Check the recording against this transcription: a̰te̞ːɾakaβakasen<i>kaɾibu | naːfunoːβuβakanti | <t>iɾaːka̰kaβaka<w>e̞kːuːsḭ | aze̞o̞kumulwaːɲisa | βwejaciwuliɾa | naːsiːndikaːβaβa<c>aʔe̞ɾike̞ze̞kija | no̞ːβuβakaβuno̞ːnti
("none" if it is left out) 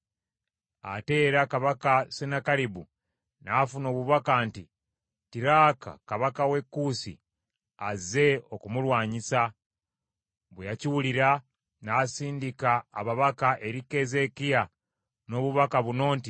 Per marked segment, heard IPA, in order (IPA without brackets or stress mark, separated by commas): a, t, w, k